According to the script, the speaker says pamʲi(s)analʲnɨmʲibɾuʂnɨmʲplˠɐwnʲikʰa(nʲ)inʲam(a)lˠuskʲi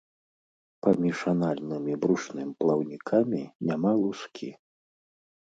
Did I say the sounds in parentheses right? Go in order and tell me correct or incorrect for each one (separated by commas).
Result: incorrect, incorrect, correct